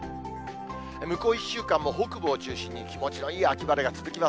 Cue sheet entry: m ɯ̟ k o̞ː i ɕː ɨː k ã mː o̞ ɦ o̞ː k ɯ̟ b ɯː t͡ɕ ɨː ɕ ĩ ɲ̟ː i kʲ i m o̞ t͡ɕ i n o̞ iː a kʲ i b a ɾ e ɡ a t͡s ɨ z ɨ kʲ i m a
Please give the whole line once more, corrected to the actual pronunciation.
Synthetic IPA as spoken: m ɯ̟ k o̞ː i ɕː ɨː k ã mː o̞ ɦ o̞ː k ɯ̟ b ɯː t͡ɕ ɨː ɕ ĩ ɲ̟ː i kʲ i m o̞ t͡ɕ i n o̞ iː a kʲ i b a ɾ e ɡ a t͡s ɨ z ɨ kʲ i m a

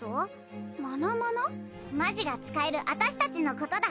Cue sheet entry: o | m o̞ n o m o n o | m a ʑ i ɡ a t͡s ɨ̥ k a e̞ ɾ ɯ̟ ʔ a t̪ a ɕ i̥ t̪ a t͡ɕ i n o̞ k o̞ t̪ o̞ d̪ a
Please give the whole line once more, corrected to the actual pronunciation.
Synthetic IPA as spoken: o | m o̞ n o m o n o | m a ʑ i ɡ a t͡s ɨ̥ k a e̞ ɾ ɯ̟ ʔ a t̪ a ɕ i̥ t̪ a t͡ɕ i n o̞ k o̞ t̪ o̞ d̪ a

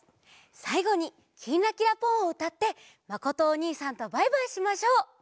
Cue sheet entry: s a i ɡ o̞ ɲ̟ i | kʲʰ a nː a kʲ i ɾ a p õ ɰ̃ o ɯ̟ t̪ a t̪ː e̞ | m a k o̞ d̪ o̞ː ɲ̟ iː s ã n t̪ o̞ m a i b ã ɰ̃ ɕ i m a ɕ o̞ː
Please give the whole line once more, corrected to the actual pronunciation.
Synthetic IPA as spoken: s a i ɡ o̞ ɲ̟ i | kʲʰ i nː a kʲ i ɾ a p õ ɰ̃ o ɯ̟ t̪ a t̪ː e̞ | m a k o̞ t̪ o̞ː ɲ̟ iː s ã n t̪ o̞ b a i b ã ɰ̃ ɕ i m a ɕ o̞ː

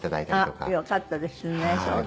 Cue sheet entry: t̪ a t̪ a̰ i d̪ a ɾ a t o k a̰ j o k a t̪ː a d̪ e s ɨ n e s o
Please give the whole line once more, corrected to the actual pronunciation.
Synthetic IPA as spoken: t̪ a d̪ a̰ i t̪ a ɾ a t o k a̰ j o k a t̪ː a d̪ e s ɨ n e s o

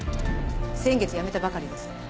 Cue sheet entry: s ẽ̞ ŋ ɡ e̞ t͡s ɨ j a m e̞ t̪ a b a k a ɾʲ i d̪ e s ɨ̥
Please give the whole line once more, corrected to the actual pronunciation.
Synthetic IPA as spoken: s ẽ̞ ŋ ɡ e̞ t͡s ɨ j a m e̞ t̪ a b a k a ɾʲ i d̪ e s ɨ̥

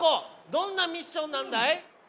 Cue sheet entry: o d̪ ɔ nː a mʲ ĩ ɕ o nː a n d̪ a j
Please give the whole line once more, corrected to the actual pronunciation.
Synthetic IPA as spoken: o d̪ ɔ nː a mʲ i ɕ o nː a n d̪ a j

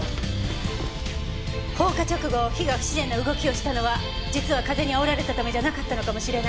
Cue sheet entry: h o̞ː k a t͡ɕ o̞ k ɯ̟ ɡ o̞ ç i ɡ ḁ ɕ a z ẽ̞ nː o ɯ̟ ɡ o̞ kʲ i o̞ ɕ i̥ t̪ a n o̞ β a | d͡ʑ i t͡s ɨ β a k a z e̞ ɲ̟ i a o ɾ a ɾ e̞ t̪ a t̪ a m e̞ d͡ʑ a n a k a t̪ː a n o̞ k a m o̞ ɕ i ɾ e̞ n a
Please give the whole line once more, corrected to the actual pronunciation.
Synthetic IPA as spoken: h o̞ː k a t͡ɕ o̞ k ɯ̟ ɡ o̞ ç i ɡ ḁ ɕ i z ẽ̞ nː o ɯ̟ ɡ o̞ kʲ i o̞ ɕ i̥ t̪ a n o̞ β a | d͡ʑ i t͡s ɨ β a k a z e̞ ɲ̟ i a o ɾ a ɾ e̞ t̪ a t̪ a m e̞ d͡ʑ a n a k a t̪ː a n o̞ k a m o̞ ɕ i ɾ e̞ n a

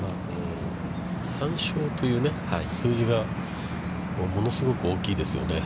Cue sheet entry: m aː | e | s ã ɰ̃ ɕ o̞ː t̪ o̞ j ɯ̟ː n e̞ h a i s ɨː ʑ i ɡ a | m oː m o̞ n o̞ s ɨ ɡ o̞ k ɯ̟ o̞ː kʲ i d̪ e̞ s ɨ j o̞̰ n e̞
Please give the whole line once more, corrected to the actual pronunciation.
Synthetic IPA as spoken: m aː | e | s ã ɰ̃ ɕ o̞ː t̪ o̞ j ɯ̟ː n e̞ h a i s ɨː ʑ i ɡ a | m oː m o̞ n o̞ s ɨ ɡ o̞ k ɯ̟ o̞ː kʲ iː d̪ e̞ s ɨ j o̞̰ n e̞

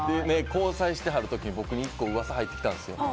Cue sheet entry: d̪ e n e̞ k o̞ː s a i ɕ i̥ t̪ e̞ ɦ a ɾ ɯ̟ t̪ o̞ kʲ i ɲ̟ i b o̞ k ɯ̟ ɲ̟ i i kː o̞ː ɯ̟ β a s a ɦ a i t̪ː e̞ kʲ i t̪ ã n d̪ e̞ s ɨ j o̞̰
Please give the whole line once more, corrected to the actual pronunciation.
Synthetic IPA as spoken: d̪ e n e̞ k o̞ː s a i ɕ i̥ t̪ e̞ ɦ a ɾ ɯ̟ t̪ o̞ kʲ i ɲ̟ i b o̞ k ɯ̟ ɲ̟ i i kː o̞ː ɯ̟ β a s a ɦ a i t̪ː e̞ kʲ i t̪ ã n d̪ e̞ s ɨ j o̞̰

